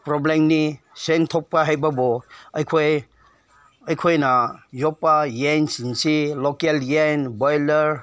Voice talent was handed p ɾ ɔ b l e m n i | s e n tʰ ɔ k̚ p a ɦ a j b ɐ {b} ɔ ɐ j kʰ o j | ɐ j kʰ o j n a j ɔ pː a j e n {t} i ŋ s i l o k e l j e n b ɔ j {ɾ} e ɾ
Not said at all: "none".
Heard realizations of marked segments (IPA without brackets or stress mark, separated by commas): b, s, l